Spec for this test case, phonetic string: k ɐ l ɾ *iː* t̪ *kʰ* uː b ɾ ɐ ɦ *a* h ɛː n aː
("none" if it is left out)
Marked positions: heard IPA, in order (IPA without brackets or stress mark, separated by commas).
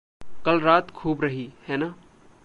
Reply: aː, kʰ, i